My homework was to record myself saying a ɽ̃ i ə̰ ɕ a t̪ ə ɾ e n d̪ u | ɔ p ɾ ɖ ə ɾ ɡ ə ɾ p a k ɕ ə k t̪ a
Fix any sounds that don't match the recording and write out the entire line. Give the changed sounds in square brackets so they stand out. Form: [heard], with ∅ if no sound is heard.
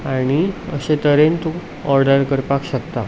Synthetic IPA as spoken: a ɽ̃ i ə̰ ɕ [e] t̪ ə ɾ e n [t̪] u | ɔ [∅] ɾ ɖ ə ɾ [k] ə ɾ p a k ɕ ə k t̪ a